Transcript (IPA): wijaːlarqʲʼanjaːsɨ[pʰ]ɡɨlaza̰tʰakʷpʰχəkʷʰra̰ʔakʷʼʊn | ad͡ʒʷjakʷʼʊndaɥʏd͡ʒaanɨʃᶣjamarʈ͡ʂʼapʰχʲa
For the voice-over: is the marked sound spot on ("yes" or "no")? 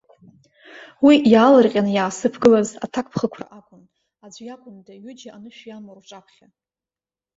yes